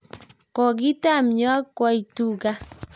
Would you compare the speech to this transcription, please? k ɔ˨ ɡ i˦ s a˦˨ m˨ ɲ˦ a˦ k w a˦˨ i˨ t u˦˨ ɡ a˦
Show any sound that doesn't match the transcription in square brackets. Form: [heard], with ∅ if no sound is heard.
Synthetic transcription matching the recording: k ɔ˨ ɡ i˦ [t] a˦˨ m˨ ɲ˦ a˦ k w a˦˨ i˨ t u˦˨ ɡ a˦